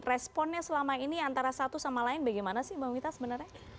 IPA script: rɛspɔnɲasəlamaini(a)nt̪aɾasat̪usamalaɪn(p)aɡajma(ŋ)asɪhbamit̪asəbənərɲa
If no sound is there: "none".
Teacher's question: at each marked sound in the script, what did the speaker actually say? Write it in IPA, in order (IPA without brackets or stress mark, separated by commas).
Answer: a, b, n